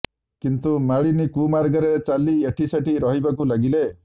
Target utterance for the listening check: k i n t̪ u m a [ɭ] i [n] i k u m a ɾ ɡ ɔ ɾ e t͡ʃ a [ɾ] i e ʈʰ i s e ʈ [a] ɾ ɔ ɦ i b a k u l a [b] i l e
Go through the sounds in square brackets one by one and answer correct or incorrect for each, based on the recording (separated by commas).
correct, correct, incorrect, incorrect, incorrect